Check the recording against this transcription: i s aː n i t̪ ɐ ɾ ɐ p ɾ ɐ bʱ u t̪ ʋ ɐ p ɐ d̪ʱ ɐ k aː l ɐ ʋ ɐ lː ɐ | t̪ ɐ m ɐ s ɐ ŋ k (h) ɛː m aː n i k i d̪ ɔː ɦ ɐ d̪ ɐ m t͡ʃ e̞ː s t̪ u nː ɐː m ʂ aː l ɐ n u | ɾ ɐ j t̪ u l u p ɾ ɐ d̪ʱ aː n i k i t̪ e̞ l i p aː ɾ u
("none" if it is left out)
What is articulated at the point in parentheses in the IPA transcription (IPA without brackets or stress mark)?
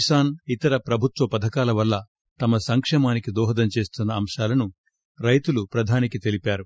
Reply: ʂ